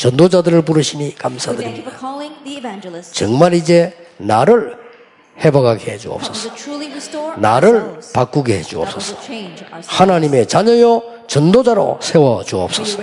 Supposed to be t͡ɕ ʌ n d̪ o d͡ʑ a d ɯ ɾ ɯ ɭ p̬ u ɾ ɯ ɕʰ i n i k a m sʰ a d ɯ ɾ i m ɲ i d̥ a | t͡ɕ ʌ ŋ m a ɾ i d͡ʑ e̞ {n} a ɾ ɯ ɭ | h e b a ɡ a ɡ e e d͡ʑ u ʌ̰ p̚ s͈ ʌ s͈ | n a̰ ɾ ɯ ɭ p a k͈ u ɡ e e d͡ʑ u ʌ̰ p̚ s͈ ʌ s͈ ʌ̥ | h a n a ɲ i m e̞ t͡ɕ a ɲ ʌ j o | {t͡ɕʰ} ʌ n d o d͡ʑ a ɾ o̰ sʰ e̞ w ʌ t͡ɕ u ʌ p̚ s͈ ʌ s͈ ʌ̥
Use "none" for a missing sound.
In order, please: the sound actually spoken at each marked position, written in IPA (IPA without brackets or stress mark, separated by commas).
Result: n, t͡ɕ